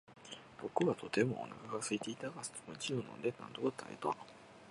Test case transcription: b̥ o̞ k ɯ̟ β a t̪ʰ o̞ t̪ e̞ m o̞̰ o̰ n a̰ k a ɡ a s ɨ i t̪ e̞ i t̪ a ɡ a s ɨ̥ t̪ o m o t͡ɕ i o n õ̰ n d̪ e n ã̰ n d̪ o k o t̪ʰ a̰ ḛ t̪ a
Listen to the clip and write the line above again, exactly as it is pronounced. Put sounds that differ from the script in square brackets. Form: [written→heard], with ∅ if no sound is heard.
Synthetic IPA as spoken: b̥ o̞ k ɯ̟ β a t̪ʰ o̞ t̪ e̞ m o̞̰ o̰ n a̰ k a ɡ a s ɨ i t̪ e̞ i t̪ a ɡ a s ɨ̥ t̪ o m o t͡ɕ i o n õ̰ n d̪ e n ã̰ n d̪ o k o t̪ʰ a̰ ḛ t̪ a